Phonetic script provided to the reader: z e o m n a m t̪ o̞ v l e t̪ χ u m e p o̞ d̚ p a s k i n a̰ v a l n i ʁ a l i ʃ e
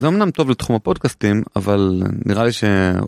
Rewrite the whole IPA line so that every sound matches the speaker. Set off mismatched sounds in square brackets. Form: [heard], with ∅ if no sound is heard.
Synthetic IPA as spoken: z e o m n a m t̪ o̞ v l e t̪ χ u m [a] p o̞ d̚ [k] a s [t] i [m] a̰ v a l n i ʁ a l i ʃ e